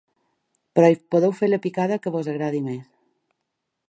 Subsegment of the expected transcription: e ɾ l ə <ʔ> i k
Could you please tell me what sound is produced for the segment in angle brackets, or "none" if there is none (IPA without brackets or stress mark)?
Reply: p